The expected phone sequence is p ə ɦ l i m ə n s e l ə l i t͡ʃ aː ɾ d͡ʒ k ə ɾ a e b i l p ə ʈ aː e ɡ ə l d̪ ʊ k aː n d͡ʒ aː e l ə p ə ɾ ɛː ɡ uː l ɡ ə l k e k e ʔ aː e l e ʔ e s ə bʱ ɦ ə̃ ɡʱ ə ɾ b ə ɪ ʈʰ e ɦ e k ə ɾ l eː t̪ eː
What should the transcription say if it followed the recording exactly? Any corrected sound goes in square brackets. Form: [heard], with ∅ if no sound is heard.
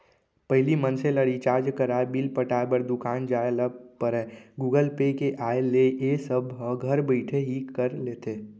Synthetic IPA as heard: p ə ɦ l i m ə n s e l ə [ɽ] i t͡ʃ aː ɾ d͡ʒ k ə ɾ a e b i l p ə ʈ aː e [b] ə [ɾ] d̪ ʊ k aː n d͡ʒ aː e l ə p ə ɾ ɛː ɡ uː [∅] ɡ ə l [p] e k e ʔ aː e l e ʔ e s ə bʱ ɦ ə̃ ɡʱ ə ɾ b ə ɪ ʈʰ e ɦ [i] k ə ɾ l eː t̪ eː